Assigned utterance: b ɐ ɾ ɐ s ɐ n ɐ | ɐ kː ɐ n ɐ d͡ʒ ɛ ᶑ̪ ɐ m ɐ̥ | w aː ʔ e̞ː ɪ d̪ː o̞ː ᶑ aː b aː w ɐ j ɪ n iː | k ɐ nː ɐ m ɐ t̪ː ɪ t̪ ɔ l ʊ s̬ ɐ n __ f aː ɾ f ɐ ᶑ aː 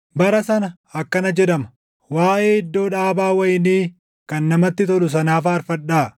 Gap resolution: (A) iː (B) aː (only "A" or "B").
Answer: B